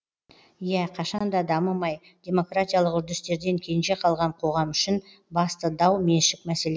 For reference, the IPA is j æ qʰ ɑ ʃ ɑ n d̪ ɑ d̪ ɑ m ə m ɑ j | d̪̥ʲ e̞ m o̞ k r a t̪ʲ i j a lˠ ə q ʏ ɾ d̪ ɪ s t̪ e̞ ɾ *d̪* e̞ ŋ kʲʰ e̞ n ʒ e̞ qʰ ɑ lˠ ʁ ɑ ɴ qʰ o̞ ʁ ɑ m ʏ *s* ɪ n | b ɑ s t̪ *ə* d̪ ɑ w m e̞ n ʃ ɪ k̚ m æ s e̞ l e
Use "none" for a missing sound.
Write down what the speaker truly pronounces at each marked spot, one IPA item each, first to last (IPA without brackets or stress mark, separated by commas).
d̪, ʃ, ə